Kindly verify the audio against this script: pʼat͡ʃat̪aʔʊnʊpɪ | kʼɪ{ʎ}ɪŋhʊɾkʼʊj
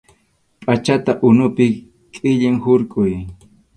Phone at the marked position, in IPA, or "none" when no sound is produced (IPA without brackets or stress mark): ʎ